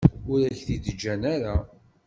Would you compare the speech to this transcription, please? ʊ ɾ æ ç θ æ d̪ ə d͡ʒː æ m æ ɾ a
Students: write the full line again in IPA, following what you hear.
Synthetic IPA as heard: ʊ ɾ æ ç θ i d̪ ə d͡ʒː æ n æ ɾ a